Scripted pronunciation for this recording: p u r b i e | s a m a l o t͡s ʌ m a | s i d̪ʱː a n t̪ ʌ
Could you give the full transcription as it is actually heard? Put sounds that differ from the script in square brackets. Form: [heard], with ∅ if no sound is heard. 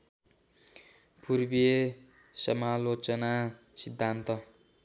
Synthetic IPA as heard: p u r b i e | s [ʌ] m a l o t͡s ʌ [n] a | s i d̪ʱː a n t̪ ʌ